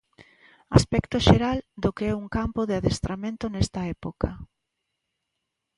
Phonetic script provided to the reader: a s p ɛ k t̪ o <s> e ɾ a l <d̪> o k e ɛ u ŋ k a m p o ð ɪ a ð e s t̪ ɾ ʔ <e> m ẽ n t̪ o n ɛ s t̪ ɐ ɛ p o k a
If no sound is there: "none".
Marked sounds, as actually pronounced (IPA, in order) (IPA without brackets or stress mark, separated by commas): ʃ, d̪, a